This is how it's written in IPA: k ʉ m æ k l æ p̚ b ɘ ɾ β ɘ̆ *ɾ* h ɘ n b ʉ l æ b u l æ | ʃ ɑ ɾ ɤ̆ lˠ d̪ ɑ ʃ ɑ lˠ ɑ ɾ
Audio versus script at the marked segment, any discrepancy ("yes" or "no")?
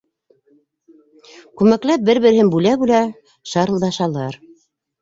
no